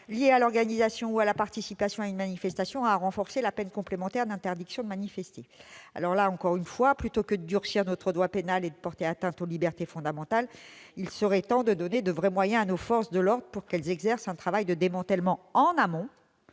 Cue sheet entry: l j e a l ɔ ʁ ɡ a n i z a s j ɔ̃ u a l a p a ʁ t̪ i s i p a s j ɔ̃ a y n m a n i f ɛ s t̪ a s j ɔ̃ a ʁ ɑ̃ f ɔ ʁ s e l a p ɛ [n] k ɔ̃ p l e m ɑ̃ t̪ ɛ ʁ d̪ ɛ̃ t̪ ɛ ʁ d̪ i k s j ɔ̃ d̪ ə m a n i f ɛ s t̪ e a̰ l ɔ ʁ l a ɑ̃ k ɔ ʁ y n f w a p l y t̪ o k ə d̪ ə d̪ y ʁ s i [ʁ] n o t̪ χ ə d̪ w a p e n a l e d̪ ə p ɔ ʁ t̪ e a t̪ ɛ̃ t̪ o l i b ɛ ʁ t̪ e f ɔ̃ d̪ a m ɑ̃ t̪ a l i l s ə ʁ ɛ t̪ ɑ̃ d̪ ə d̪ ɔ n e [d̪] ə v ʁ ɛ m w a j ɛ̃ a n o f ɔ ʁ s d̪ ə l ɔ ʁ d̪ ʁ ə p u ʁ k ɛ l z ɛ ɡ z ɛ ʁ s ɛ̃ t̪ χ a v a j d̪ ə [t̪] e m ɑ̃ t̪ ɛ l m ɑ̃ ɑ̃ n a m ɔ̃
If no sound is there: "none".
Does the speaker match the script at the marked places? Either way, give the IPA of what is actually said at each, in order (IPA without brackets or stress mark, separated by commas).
n, ʁ, d̪, d̪